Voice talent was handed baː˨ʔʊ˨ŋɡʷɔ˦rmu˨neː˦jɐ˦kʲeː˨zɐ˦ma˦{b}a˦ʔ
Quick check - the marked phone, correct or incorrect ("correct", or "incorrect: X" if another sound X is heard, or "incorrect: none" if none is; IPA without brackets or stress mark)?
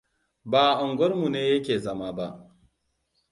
correct